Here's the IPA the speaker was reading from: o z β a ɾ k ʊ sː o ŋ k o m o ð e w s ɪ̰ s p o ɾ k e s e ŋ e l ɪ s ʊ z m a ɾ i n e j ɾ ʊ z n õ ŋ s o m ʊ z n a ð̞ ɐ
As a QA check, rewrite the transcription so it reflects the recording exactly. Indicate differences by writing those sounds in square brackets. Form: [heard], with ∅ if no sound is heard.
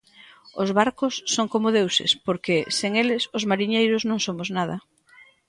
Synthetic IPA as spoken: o z β a ɾ k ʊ sː o ŋ k o m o ð e w s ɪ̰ s p o ɾ k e s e ŋ e l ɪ s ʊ z m a ɾ i [ɲ] e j ɾ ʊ z n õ ŋ s o m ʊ z n a ð̞ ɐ